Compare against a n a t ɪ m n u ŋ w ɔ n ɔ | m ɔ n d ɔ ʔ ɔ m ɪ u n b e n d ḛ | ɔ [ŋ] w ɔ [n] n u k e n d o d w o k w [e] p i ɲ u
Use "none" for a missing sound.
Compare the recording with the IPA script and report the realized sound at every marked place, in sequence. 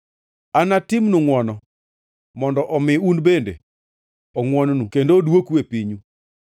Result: ŋ, n, e

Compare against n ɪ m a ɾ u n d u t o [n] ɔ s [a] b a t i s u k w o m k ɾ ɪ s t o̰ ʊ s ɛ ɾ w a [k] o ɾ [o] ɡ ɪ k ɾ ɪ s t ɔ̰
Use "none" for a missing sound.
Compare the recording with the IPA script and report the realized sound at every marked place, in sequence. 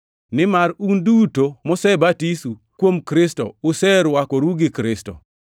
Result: m, ɛ, k, u

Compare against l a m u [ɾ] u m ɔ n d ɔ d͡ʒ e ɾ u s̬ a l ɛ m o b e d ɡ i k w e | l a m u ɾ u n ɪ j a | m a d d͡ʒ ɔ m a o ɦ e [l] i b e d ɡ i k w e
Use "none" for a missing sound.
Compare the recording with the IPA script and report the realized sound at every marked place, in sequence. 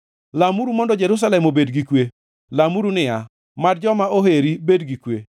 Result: ɾ, ɾ

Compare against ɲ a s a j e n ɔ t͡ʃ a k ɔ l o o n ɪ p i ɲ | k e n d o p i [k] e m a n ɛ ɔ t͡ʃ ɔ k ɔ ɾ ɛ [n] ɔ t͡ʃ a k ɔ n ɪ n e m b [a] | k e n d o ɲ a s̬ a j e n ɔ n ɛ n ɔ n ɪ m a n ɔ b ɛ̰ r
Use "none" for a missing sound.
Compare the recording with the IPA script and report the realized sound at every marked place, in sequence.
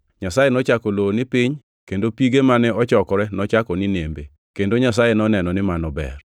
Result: ɡ, n, e

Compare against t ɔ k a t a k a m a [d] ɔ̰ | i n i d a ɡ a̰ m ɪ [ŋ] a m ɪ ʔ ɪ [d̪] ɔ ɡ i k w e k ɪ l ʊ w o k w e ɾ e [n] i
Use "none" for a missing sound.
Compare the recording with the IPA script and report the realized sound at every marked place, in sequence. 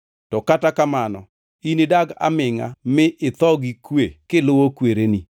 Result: n, ŋ, t̪, n

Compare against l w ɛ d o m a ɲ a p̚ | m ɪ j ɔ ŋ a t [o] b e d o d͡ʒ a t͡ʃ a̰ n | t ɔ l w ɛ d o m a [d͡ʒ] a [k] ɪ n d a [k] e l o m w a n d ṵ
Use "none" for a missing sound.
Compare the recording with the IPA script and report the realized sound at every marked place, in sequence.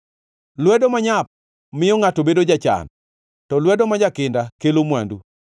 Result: o, d͡ʒ, k, k

